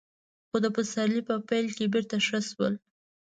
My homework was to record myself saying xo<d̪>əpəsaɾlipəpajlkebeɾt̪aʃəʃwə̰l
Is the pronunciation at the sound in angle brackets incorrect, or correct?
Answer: correct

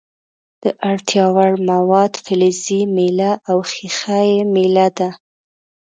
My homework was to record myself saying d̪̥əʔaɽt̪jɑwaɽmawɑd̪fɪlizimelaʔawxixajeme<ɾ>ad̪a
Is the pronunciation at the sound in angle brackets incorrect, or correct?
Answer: incorrect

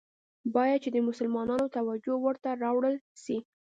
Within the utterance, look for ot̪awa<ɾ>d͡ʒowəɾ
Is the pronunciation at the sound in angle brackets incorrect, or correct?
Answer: incorrect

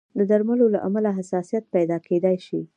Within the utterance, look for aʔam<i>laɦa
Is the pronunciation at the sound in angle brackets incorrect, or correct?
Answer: incorrect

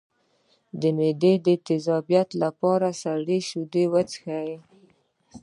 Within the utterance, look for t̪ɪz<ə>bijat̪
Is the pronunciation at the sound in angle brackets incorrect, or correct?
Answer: incorrect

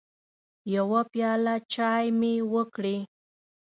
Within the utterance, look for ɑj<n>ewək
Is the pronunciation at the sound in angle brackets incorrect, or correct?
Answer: incorrect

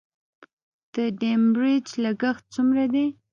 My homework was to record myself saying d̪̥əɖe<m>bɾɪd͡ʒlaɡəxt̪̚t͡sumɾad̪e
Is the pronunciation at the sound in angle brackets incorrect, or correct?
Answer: correct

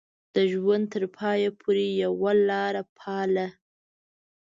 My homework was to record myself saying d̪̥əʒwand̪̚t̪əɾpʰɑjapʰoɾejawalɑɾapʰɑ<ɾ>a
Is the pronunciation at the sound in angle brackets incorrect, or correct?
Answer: incorrect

